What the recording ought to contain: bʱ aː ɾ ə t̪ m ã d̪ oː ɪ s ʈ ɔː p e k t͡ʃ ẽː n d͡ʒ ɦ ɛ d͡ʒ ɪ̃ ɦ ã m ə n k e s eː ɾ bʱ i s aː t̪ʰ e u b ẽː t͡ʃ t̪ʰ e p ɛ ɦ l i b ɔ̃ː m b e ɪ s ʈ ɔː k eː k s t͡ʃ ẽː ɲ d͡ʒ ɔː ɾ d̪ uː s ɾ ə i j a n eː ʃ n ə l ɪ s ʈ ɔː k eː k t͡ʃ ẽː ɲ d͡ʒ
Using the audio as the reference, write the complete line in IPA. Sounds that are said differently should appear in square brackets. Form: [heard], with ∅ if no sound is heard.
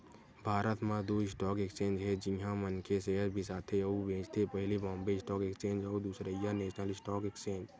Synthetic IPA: bʱ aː ɾ ə t̪ m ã d̪ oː ɪ s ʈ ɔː [k] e k t͡ʃ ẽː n d͡ʒ ɦ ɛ d͡ʒ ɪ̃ ɦ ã m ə n k e s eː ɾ bʱ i s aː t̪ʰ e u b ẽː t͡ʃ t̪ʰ e p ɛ ɦ l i b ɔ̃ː m b e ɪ s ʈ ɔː k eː k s t͡ʃ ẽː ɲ d͡ʒ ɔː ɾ d̪ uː s ɾ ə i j a n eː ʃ n ə l ɪ s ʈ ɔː k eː k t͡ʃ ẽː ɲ d͡ʒ